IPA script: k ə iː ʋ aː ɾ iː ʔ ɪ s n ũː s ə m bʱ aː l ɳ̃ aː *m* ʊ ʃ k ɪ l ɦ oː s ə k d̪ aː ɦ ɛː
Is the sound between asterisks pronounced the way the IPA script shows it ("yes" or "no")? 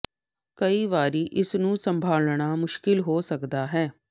yes